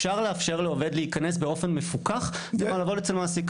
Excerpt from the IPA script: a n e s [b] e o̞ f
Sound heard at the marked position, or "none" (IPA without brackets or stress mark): b